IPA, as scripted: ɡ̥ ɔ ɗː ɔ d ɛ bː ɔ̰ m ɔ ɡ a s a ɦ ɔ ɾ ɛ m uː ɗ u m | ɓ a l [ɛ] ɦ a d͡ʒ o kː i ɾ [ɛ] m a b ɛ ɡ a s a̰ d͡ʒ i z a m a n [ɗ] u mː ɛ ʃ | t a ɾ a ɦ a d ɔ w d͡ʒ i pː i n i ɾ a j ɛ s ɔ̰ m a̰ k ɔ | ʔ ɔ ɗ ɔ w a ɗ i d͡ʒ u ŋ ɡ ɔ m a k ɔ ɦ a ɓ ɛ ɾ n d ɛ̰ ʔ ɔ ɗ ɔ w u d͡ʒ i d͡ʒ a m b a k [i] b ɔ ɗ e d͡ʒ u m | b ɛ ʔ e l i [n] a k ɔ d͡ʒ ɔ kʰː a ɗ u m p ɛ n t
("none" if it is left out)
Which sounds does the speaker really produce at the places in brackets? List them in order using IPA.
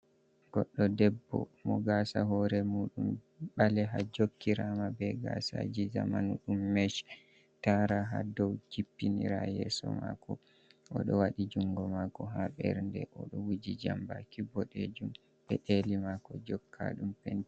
ɛ, a, ɗ, i, m

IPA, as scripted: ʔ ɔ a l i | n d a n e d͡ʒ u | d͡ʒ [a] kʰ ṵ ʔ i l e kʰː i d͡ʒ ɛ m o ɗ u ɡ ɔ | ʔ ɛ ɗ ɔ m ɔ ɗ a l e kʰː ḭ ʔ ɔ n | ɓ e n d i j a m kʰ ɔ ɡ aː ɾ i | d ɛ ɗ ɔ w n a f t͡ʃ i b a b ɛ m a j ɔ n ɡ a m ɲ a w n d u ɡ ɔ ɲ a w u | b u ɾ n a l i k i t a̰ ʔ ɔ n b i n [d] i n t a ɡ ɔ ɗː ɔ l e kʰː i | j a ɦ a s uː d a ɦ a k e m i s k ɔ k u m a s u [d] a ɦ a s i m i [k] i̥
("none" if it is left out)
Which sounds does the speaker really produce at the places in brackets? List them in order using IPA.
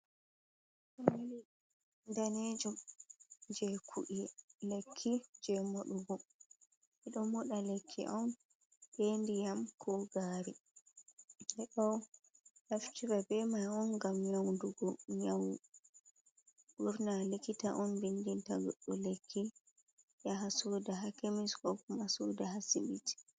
ɛ, d, d, t

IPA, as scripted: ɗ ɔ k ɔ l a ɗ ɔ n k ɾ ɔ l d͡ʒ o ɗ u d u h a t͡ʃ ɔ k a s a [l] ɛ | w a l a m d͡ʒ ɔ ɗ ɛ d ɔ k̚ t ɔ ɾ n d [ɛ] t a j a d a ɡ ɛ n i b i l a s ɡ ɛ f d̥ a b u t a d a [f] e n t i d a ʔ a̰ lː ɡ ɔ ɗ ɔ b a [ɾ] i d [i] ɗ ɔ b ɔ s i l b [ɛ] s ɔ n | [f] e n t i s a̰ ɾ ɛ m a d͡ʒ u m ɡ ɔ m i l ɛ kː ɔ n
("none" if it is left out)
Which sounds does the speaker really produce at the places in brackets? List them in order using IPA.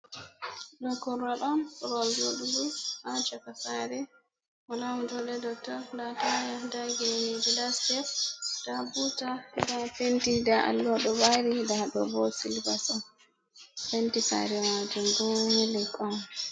ɾ, a, f, ɾ, a, a, f

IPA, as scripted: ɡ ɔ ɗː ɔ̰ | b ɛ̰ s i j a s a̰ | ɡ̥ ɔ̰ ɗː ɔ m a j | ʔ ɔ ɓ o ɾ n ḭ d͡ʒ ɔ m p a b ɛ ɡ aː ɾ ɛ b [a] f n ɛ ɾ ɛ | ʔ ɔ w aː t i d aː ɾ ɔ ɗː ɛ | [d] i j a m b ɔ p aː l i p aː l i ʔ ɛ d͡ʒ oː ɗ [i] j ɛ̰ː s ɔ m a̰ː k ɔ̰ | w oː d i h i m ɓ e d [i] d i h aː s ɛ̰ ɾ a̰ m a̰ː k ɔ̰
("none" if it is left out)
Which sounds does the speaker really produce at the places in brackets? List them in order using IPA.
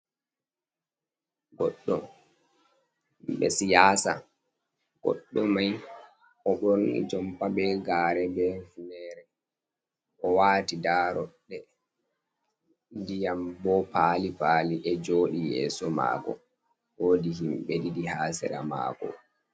ɛ, d, i, i

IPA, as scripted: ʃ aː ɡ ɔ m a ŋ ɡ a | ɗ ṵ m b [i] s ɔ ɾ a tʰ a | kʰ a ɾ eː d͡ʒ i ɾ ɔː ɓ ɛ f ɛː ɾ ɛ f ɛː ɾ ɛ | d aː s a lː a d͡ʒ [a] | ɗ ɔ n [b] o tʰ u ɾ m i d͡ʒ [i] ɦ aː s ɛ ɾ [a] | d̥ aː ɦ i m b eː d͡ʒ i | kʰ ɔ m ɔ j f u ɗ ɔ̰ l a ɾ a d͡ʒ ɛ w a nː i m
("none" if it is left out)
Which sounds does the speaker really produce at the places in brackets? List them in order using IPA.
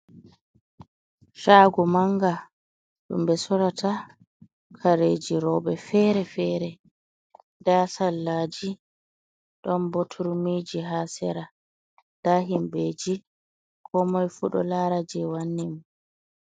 ɛ, i, b, i, a

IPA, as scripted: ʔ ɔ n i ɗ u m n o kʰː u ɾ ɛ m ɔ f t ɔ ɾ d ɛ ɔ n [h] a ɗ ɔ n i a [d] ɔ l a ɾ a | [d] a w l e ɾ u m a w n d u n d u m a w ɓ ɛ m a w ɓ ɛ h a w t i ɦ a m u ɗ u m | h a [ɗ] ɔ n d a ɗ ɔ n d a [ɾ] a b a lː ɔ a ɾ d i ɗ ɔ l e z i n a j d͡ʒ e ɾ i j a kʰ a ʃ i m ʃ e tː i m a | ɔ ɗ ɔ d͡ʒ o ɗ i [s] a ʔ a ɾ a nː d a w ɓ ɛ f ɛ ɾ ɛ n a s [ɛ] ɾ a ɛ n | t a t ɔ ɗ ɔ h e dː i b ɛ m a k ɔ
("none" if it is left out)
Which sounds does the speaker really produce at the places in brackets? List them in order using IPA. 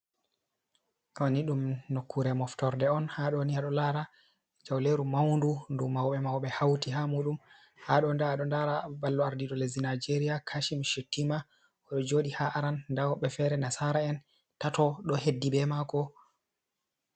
h, ɗ, d͡ʒ, ɗ, ɾ, h, a

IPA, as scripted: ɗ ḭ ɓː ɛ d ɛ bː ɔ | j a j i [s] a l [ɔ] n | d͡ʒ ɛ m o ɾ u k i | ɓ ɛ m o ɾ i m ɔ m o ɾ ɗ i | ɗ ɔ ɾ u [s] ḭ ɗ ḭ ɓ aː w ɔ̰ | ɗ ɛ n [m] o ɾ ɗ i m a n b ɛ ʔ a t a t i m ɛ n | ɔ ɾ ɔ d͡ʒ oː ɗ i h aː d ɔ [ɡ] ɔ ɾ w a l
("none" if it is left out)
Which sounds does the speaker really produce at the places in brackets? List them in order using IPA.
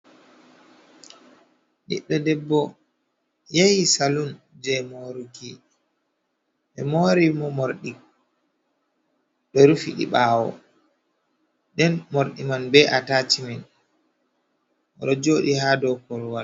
s, u, f, m, k

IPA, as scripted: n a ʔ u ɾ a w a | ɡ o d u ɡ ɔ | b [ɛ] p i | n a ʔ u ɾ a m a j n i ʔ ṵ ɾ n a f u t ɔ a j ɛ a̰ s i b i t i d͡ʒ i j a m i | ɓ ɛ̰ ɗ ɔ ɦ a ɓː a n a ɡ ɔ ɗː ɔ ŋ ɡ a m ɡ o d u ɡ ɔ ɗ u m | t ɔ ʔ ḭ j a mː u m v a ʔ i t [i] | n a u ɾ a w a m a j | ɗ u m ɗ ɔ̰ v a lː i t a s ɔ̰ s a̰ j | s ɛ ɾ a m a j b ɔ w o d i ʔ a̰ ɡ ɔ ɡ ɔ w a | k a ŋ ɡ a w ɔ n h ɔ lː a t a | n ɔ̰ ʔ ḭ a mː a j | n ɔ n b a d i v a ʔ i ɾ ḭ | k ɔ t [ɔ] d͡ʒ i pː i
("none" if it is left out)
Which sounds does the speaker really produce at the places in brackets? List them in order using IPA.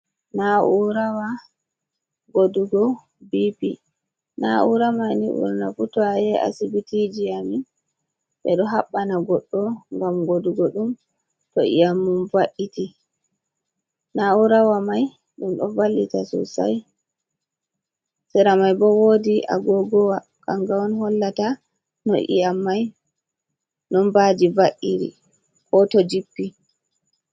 i, i, ɔ

